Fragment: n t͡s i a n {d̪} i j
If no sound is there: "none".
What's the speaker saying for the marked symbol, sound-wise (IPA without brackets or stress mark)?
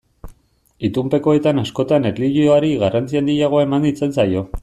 d̪